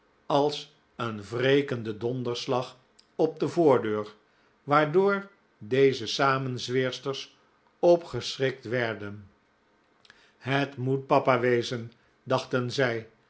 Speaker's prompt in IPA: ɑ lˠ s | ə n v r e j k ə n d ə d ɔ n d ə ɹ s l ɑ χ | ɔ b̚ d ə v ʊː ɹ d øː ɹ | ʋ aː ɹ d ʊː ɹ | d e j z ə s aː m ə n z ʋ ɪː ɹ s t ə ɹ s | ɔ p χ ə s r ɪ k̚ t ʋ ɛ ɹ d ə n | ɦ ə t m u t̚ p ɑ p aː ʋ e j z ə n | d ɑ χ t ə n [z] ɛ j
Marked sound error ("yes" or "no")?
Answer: no